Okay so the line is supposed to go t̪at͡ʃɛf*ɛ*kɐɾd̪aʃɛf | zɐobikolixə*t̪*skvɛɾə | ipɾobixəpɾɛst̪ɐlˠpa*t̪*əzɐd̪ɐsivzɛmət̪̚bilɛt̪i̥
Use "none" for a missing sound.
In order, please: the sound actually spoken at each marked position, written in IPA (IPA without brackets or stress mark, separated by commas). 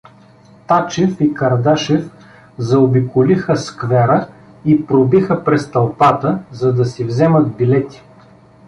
i, none, t̪